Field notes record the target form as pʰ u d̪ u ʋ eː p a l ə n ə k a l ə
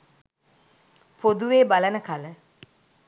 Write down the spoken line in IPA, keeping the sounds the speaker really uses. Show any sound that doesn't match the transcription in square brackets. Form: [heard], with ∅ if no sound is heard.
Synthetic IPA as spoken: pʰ [o] d̪ u ʋ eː [b] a l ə n ə k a l ə